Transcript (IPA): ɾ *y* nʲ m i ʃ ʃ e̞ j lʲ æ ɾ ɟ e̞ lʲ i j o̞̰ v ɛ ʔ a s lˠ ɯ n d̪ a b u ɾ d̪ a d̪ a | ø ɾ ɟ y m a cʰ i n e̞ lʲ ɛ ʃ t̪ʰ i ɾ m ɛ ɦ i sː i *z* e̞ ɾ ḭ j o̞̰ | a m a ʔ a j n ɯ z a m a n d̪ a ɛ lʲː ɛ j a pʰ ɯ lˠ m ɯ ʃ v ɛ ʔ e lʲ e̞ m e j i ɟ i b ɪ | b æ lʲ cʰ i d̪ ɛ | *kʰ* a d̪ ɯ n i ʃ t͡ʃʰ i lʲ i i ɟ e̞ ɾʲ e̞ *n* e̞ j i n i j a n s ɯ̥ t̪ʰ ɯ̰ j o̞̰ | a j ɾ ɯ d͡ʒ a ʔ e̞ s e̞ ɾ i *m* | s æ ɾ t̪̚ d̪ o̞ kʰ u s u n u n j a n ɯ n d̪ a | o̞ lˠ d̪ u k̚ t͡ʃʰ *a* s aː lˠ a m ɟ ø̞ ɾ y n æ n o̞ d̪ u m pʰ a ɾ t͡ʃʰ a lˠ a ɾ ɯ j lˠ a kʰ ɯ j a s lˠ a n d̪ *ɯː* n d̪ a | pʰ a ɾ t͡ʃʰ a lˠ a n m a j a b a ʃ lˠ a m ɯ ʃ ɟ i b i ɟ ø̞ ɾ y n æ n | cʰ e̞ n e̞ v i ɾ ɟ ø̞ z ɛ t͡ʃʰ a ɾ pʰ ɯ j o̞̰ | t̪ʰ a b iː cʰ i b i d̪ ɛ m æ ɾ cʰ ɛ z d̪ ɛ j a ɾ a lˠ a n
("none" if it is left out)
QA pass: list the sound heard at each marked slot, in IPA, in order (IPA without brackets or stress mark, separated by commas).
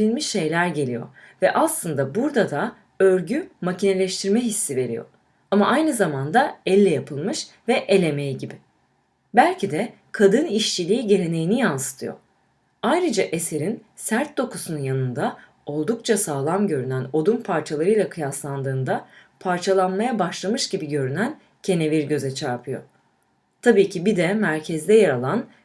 i, v, kʰ, n, n, a, ɯː